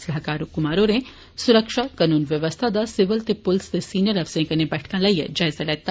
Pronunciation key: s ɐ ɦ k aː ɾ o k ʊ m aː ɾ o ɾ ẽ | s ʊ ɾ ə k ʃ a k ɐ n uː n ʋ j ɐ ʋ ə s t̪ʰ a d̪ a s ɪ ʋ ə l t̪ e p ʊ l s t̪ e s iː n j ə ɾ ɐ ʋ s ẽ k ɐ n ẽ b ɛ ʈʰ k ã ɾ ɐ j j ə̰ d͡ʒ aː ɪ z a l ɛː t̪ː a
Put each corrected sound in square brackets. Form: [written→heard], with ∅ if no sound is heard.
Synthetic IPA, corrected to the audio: s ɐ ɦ k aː ɾ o k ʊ m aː ɾ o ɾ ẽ | s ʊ ɾ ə k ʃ a k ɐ n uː n ʋ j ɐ ʋ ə s t̪ʰ a d̪ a s ɪ ʋ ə l t̪ e p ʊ l s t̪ e s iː n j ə ɾ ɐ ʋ s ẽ k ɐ n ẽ b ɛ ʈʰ k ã [ɾ→l] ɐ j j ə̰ d͡ʒ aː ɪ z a l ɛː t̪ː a

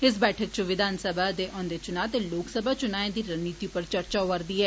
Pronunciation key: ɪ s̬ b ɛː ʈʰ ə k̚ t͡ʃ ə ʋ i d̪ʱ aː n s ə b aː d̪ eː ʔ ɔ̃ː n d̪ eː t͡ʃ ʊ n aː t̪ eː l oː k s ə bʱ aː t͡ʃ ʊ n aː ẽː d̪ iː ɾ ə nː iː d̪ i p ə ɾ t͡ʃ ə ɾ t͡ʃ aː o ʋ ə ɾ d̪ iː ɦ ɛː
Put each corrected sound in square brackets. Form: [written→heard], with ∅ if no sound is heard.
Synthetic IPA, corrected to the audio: ɪ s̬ b ɛː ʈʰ ə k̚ t͡ʃ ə ʋ [i→ɪ] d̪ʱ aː n s ə b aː d̪ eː ʔ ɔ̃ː n d̪ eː t͡ʃ ʊ n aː t̪ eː l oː k s ə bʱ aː t͡ʃ ʊ n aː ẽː d̪ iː ɾ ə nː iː [d̪→t̪] i p ə ɾ t͡ʃ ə ɾ t͡ʃ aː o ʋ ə ɾ d̪ iː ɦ ɛː

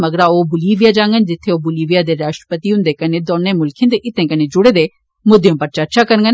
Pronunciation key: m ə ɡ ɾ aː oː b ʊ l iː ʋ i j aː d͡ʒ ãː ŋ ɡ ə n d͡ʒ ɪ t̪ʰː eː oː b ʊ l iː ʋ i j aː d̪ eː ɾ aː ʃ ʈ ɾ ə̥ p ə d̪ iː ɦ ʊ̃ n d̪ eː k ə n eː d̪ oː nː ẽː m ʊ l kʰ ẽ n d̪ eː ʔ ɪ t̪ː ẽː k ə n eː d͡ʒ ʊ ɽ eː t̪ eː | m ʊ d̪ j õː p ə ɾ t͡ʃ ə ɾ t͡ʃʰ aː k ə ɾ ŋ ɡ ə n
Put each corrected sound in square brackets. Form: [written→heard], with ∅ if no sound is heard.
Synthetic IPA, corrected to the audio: m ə ɡ ɾ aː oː b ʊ l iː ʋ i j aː d͡ʒ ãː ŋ ɡ ə n d͡ʒ ɪ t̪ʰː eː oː b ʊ l iː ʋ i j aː d̪ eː ɾ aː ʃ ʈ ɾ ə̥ p ə [d̪→t̪] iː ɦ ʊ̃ n d̪ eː k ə n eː d̪ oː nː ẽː m ʊ l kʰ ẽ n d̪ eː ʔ ɪ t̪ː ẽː k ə n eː d͡ʒ ʊ ɽ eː [t̪→d̪] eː | m ʊ d̪ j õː p ə ɾ t͡ʃ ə ɾ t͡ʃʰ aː k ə ɾ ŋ ɡ ə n

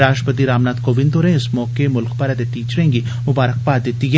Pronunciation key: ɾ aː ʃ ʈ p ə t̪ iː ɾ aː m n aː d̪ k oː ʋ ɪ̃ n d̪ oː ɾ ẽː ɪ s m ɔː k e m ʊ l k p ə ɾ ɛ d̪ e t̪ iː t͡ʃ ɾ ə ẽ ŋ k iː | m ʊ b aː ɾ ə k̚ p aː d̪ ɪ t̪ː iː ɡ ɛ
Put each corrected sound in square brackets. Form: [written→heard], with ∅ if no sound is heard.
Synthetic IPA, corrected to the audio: ɾ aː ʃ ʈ p ə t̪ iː ɾ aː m n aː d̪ k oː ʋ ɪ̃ n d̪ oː ɾ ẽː ɪ s m ɔː k e m ʊ l k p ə ɾ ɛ d̪ e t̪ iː t͡ʃ ɾ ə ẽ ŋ [k→ɡ] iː | m ʊ b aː ɾ ə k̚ p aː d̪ ɪ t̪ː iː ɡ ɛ

